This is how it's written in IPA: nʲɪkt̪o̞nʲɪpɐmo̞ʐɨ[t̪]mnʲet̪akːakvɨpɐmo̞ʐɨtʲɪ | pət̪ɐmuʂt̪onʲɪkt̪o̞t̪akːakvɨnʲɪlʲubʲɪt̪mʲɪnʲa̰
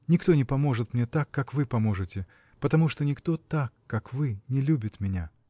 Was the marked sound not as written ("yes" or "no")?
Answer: no